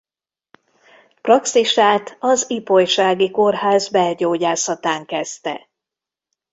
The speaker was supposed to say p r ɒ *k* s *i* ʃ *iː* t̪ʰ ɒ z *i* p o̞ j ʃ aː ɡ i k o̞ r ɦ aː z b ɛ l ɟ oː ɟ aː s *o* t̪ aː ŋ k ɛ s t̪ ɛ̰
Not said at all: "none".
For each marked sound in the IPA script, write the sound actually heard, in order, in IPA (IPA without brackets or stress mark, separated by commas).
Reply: k, i, aː, i, ɒ